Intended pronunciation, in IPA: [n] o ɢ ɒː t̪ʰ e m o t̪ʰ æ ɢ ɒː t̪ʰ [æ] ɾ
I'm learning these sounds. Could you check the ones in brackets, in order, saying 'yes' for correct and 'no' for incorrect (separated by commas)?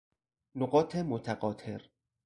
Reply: yes, no